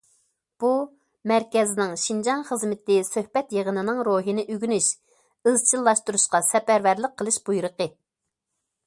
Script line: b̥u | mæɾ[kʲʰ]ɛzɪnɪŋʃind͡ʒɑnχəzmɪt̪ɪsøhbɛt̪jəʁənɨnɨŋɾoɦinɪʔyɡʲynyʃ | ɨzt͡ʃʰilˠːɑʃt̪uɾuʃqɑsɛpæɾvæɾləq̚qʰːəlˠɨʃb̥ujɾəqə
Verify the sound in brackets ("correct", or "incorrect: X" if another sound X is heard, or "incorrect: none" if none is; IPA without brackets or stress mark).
incorrect: kʲ